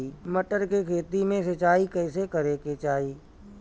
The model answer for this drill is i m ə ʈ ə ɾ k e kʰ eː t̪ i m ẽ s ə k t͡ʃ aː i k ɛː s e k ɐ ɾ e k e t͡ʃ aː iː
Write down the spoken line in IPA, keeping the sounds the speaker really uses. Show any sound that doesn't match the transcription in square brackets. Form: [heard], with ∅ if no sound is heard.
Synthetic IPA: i m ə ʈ ə ɾ k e kʰ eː t̪ i m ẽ s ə [∅] t͡ʃ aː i k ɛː s e k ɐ ɾ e k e t͡ʃ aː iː